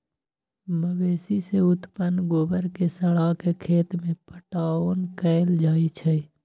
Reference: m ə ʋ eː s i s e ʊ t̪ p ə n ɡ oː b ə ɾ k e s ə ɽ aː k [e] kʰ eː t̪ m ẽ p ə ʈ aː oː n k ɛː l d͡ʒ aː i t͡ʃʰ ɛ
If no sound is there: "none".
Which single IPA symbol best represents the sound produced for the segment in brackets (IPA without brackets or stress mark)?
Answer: e